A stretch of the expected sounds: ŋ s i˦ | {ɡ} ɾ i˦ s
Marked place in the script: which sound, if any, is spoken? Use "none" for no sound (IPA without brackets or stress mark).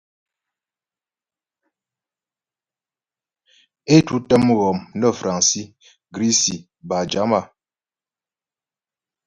ɡ